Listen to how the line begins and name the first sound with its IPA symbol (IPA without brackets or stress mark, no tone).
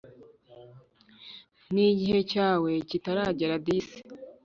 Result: n